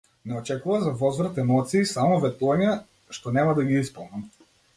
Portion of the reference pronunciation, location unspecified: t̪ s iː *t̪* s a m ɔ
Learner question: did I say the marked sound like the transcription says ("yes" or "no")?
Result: no